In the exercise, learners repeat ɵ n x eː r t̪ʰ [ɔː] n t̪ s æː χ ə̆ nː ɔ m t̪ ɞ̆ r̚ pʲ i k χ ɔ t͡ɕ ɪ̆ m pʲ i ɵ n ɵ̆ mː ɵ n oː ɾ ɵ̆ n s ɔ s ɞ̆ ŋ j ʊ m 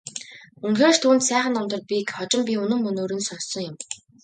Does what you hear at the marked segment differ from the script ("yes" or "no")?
yes